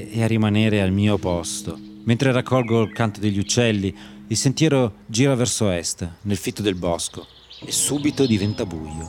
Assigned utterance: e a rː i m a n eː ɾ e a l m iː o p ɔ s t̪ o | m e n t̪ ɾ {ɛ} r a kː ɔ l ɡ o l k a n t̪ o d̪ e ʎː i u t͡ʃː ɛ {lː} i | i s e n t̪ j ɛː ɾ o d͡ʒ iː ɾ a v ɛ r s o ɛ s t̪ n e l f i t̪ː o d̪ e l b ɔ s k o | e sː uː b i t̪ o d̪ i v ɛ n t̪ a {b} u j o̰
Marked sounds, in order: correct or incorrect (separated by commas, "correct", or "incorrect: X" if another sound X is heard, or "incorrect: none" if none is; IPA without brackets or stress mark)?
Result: incorrect: e, correct, correct